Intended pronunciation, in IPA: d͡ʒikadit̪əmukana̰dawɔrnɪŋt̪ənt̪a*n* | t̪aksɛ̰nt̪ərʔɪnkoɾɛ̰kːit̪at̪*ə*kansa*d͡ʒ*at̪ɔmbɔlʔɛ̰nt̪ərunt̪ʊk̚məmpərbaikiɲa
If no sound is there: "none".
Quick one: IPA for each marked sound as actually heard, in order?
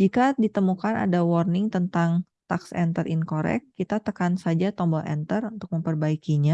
ŋ, ə, d͡ʒ

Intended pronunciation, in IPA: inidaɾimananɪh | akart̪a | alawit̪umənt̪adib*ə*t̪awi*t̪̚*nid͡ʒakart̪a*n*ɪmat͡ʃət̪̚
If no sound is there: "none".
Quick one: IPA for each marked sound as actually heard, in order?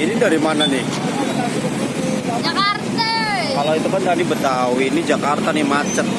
ə, none, n

